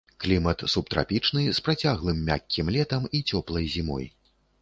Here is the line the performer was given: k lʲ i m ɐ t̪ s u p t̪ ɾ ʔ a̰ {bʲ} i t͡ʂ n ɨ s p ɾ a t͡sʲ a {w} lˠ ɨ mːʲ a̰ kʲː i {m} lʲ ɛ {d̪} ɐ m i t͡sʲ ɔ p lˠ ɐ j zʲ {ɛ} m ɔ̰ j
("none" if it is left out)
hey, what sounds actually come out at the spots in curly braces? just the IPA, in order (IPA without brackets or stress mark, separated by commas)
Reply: pʲ, ɣ, m, t̪, i